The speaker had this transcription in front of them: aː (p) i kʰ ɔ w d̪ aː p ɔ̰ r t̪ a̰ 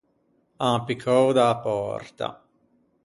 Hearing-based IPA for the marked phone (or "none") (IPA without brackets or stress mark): p